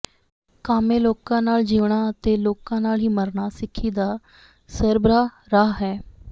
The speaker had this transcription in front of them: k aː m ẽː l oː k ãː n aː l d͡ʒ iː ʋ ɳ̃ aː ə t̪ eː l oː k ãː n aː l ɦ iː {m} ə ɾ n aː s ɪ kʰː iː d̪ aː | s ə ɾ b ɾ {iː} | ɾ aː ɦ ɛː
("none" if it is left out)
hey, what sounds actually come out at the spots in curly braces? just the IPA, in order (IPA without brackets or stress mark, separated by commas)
m, aː